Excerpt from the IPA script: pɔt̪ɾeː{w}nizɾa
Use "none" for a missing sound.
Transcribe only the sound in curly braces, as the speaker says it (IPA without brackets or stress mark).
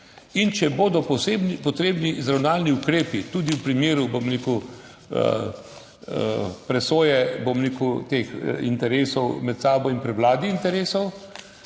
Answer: b